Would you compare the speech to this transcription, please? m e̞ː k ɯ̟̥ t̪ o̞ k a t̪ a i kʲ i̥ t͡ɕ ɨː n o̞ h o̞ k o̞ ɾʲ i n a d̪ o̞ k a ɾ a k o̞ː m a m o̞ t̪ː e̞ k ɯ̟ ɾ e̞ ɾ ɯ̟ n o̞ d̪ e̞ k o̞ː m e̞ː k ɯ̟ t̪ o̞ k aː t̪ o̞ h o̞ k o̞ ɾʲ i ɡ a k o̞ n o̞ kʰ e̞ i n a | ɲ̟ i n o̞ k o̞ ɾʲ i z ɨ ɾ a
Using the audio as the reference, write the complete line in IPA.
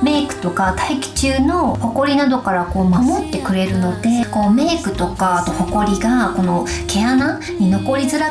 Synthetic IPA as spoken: m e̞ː k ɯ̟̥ t̪ o̞ k a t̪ a i kʲ i̥ t͡ɕ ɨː n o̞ h o̞ k o̞ ɾʲ i n a d̪ o̞ k a ɾ a k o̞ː m a m o̞ t̪ː e̞ k ɯ̟ ɾ e̞ ɾ ɯ̟ n o̞ d̪ e̞ k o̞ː m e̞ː k ɯ̟ t̪ o̞ k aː t̪ o̞ h o̞ k o̞ ɾʲ i ɡ a k o̞ n o̞ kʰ e̞ a n a | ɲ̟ i n o̞ k o̞ ɾʲ i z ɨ ɾ a